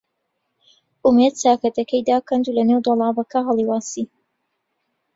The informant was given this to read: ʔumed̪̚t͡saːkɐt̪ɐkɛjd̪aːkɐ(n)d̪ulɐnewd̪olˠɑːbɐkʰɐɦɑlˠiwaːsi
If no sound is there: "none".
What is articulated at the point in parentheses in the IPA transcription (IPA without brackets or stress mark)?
n